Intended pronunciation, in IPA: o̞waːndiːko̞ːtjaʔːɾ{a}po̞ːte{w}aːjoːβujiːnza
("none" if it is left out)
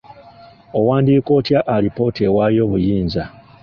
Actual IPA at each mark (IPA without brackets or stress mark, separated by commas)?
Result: i, w